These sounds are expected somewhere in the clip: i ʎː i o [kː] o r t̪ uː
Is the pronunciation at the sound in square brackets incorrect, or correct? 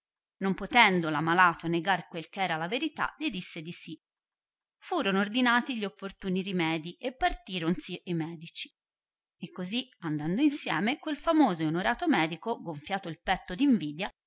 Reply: incorrect